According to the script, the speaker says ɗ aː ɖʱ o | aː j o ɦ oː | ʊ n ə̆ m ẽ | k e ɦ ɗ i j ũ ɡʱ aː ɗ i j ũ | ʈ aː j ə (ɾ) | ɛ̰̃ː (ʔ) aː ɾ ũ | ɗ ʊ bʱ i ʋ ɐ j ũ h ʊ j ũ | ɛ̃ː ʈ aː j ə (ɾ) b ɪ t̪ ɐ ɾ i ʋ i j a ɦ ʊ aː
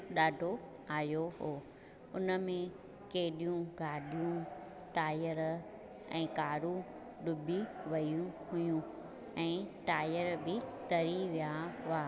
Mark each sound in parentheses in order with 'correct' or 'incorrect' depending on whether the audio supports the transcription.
correct, incorrect: k, correct

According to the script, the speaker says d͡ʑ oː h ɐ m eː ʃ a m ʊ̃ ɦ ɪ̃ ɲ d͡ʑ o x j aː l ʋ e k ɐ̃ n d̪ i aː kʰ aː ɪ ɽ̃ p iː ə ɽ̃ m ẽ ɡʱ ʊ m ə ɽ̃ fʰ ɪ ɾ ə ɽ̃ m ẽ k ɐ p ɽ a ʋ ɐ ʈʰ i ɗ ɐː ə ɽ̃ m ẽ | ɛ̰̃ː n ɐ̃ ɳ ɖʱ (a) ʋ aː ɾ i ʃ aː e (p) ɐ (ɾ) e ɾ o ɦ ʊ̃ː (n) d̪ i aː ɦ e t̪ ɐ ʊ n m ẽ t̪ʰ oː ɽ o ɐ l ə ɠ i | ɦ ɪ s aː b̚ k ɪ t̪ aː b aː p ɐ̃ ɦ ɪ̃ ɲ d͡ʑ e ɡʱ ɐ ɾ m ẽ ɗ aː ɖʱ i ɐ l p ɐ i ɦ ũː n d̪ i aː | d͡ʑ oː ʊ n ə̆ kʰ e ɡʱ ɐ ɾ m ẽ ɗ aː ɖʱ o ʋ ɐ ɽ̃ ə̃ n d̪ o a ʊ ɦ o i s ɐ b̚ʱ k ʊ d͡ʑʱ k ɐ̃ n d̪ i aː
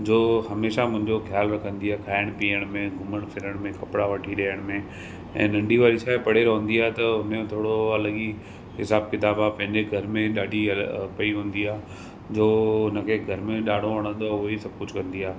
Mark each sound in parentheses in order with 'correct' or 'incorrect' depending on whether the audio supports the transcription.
incorrect: i, correct, incorrect: ɽ, correct

